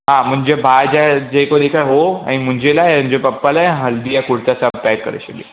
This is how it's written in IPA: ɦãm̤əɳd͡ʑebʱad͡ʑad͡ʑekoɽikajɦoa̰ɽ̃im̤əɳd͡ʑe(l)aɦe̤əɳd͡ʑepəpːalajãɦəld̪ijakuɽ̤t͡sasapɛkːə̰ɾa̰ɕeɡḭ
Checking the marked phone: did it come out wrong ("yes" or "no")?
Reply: no